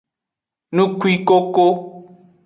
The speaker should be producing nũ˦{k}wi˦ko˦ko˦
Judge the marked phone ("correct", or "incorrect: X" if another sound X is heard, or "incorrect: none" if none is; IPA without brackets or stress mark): correct